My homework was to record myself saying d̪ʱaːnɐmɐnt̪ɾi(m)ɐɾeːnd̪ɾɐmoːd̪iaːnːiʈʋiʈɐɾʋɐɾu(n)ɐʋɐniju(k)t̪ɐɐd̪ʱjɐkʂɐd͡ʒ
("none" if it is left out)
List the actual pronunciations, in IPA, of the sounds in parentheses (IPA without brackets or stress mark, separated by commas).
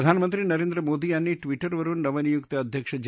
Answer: n, n, k